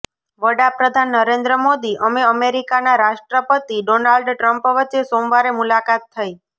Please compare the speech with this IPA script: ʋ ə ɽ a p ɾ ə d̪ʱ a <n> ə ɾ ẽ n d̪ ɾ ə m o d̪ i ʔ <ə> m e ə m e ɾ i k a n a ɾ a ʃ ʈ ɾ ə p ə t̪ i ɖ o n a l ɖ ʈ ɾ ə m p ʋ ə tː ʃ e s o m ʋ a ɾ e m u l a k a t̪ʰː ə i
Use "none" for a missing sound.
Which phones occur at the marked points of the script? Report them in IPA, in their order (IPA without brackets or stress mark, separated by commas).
nː, ə